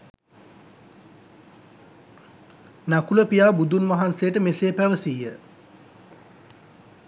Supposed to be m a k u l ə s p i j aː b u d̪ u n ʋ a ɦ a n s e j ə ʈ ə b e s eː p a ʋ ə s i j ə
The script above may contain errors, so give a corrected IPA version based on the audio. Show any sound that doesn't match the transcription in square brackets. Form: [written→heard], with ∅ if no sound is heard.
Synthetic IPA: [m→n] a k u l ə [s→∅] p i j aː b u d̪ u n ʋ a ɦ a n s e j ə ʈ ə [b→m] e s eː p [a→æ] ʋ ə s i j ə